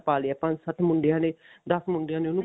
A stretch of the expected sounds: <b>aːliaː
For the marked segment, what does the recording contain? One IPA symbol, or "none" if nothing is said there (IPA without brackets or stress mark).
p